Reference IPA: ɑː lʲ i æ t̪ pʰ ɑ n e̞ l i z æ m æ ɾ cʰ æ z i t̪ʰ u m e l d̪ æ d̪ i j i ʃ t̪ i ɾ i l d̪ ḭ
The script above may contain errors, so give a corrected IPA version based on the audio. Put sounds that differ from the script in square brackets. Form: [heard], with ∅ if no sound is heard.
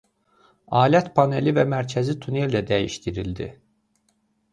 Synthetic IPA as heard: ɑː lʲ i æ t̪ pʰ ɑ n e̞ l i [v] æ m æ ɾ cʰ æ z i t̪ʰ u [n] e l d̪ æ d̪ [æ] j i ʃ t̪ i ɾ i l d̪ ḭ